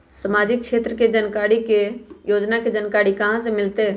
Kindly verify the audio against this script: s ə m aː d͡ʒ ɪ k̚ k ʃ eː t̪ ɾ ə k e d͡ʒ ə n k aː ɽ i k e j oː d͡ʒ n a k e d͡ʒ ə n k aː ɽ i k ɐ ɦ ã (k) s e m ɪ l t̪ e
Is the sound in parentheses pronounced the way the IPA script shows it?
no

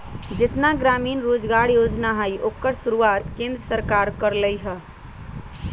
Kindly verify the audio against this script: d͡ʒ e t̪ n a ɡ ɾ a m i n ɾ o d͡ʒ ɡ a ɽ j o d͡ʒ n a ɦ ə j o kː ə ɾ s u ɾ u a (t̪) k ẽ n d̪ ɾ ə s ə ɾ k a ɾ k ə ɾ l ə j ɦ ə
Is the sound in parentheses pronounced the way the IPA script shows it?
yes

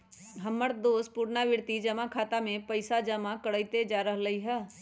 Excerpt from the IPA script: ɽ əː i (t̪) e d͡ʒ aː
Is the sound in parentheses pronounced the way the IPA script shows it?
yes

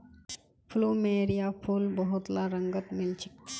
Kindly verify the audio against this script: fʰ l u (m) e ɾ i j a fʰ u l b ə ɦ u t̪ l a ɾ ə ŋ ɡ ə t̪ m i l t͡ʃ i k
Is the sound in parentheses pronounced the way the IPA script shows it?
yes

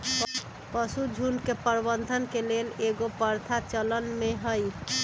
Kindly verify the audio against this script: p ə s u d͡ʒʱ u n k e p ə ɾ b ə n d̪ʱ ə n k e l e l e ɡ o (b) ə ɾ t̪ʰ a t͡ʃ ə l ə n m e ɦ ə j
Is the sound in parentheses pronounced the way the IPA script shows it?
no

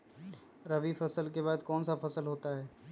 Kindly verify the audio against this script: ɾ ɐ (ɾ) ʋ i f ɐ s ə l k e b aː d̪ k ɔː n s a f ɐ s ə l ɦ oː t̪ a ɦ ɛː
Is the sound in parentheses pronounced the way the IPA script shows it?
no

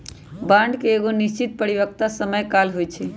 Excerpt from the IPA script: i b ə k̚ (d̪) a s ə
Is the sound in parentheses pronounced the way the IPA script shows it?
no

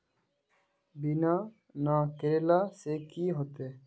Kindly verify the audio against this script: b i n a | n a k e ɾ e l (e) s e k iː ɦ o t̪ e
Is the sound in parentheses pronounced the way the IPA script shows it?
no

